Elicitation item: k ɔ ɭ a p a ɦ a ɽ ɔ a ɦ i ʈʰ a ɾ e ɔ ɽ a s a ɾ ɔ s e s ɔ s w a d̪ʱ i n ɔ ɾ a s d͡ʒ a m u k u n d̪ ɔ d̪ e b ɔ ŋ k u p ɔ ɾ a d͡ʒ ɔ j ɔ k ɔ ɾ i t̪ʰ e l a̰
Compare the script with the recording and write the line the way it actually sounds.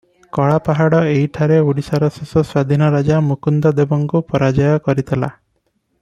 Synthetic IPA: k ɔ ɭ a p a ɦ a ɽ ɔ e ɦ i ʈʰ a ɾ e u ɽ i s a ɾ ɔ s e s ɔ s w a d̪ʱ i n ɔ ɾ a d͡ʒ a m u k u n d̪ ɔ d̪ e b ɔ ŋ k u p ɔ ɾ a d͡ʒ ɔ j ɔ k ɔ ɾ i t̪ʰ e l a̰